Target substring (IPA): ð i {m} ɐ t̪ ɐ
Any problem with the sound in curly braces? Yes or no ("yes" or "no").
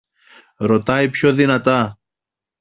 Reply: yes